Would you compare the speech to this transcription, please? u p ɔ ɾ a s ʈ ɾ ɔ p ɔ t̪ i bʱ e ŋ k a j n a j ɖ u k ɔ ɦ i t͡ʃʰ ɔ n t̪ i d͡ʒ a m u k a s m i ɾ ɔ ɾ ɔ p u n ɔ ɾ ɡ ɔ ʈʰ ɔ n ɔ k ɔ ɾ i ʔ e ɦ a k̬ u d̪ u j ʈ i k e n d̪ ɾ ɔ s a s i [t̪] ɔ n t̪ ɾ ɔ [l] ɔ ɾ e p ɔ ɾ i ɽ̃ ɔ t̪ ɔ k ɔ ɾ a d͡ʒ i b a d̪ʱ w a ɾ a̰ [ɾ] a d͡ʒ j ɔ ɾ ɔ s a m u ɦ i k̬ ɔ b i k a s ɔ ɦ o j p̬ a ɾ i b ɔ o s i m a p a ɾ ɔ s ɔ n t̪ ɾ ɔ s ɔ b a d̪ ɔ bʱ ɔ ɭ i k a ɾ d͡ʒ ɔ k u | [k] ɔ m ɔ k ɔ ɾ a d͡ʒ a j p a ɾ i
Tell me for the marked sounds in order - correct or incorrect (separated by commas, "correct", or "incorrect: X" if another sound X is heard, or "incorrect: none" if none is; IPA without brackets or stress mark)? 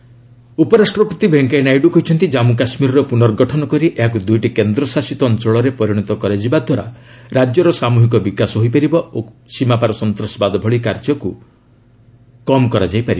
correct, incorrect: ɭ, correct, correct